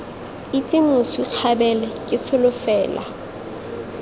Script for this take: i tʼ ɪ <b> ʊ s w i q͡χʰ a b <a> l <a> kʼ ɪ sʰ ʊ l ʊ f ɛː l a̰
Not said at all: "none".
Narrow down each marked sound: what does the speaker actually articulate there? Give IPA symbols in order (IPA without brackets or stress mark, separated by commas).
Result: m, ɛ, ɛ